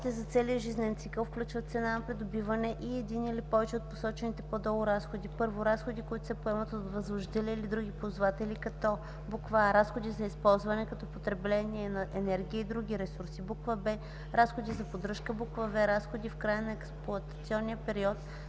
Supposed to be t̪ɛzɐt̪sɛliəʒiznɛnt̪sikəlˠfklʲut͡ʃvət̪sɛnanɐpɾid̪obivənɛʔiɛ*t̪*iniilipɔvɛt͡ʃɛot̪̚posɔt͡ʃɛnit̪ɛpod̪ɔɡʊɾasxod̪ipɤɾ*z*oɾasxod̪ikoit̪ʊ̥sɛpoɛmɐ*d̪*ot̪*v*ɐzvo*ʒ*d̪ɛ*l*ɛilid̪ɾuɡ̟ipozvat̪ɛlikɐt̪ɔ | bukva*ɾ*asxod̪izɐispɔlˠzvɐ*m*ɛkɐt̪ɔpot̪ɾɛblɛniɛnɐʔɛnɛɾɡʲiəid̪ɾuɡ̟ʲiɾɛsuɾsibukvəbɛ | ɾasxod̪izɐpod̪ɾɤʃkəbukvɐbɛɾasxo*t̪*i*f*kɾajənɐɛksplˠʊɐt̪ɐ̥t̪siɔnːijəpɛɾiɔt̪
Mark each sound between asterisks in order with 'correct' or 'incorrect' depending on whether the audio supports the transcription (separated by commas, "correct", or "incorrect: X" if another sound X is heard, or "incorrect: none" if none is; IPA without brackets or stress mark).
incorrect: d̪, incorrect: v, incorrect: t̪, correct, correct, correct, correct, incorrect: n, incorrect: d̪, correct